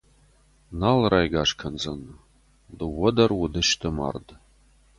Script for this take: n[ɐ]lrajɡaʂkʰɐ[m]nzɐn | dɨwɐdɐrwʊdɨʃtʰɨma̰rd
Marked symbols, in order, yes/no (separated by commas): no, no